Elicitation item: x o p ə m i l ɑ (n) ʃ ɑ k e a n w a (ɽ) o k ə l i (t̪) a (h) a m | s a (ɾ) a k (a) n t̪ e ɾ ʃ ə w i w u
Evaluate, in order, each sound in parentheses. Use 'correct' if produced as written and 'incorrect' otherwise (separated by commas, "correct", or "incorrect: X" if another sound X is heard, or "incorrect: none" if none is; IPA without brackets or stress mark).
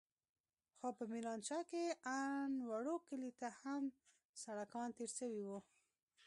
correct, correct, correct, correct, incorrect: ɽ, incorrect: ɑ